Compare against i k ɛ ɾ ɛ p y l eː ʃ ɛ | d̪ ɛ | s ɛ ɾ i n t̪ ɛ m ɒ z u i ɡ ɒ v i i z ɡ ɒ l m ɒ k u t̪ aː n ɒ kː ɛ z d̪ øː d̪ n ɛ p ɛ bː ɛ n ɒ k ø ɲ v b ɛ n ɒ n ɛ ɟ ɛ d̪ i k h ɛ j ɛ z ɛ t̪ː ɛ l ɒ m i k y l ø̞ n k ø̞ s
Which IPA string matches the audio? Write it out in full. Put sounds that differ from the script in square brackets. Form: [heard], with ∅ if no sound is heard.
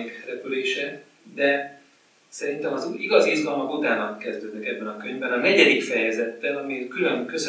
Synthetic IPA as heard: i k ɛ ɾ ɛ p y l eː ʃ ɛ | d̪ ɛ | s ɛ ɾ i n t̪ ɛ m ɒ z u i ɡ ɒ [z] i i z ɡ ɒ l m ɒ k u t̪ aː n ɒ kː ɛ z d̪ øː d̪ n ɛ [k] ɛ bː ɛ n ɒ k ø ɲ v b ɛ n ɒ n ɛ ɟ ɛ d̪ i k [f] ɛ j ɛ z ɛ t̪ː ɛ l ɒ m i k y l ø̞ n k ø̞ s